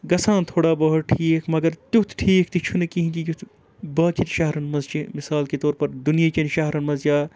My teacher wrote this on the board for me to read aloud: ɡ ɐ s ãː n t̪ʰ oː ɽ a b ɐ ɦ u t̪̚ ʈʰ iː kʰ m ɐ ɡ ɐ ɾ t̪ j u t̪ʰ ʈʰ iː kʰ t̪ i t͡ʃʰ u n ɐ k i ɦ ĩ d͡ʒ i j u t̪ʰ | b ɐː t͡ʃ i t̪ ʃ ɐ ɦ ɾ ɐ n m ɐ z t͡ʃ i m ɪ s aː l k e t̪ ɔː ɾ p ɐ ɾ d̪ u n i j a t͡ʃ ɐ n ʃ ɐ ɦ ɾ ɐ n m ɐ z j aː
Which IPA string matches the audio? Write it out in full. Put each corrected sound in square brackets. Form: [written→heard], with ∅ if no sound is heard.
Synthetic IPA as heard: ɡ ɐ s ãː n t̪ʰ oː ɽ a b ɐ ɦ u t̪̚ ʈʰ iː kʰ m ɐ ɡ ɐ ɾ t̪ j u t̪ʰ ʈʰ iː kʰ t̪ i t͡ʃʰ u n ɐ k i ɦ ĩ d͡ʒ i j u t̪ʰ | b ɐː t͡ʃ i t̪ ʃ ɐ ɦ ɾ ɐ n m ɐ z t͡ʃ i m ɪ s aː l k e t̪ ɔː ɾ p ɐ ɾ d̪ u n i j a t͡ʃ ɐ n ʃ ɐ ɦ ɾ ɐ n m ɐ z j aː